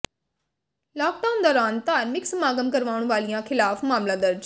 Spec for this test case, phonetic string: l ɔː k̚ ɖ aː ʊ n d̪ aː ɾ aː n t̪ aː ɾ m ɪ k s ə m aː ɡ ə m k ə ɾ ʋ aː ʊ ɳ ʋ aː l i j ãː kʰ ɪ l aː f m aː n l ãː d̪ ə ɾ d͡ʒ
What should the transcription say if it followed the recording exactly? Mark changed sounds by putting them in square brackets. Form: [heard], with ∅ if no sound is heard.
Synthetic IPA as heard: l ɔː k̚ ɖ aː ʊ n d̪ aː ɾ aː n t̪ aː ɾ m ɪ k s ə m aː ɡ ə m k ə ɾ ʋ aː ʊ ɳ ʋ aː l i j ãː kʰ ɪ l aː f m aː [m] l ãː d̪ ə ɾ d͡ʒ